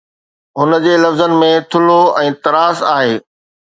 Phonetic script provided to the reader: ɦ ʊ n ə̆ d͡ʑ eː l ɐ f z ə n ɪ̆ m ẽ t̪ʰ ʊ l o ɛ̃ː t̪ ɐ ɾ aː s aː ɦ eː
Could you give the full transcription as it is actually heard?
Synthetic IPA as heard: ɦ ʊ n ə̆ d͡ʑ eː l ɐ f z ə n ɪ̆ m ẽ t̪ʰ ʊ l o ɛ̃ː t̪ ɐ ɾ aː s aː ɦ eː